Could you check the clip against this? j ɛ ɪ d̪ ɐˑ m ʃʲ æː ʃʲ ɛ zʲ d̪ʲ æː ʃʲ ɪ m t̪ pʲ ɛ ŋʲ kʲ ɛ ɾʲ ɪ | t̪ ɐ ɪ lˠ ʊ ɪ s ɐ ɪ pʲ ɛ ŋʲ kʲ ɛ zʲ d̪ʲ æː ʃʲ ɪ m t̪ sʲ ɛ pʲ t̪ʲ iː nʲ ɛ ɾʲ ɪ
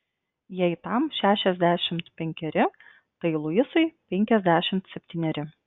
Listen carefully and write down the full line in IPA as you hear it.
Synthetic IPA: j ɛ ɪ t̪ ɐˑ m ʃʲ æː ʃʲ ɛ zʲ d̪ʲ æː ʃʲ ɪ m t̪ pʲ ɛ ŋʲ kʲ ɛ ɾʲ ɪ | t̪ ɐ ɪ lˠ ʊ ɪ s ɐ ɪ pʲ ɛ ŋʲ kʲ ɛ zʲ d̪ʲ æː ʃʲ ɪ m t̪ sʲ ɛ pʲ t̪ʲ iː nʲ ɛ ɾʲ ɪ